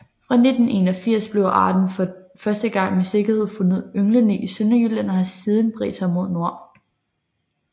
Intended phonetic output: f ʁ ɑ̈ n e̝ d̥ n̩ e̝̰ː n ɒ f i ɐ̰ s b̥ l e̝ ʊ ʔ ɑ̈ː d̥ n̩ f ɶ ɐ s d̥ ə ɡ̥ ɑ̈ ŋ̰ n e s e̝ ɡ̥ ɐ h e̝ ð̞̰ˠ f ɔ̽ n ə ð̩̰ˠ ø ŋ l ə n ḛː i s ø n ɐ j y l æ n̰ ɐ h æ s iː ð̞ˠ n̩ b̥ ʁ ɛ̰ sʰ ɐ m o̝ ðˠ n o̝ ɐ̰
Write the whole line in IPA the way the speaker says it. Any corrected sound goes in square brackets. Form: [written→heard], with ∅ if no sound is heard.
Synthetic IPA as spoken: f ʁ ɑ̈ n e̝ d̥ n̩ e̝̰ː n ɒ f i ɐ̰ s b̥ l e̝ ʊ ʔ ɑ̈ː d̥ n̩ f ɶ ɐ s d̥ ə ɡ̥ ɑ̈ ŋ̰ [n→m] e s e̝ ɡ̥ ɐ h e̝ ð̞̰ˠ f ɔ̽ n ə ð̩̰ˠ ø ŋ l ə n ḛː i s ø n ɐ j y l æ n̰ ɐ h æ s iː ð̞ˠ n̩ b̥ ʁ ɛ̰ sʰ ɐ m o̝ ðˠ n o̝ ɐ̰